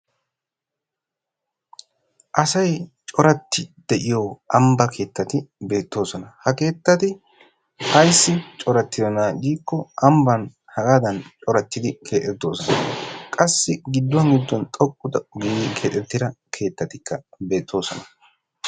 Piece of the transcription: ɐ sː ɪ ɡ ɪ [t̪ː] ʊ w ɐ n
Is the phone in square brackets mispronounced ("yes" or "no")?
yes